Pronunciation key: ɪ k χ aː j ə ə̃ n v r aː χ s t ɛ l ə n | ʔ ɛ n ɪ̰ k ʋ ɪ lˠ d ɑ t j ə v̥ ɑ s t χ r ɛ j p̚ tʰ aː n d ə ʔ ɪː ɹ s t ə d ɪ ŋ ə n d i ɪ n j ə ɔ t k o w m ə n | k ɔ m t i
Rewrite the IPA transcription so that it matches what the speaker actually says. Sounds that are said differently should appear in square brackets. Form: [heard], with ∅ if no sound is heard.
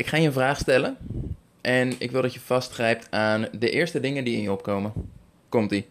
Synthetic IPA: ɪ k χ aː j ə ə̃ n v r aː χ s t ɛ l ə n | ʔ ɛ n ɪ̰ k ʋ ɪ lˠ d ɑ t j ə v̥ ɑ s t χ r ɛ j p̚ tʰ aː n d ə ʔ ɪː ɹ s t ə d ɪ ŋ ə n d i ɪ n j ə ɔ [p] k o w m ə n | k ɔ m t i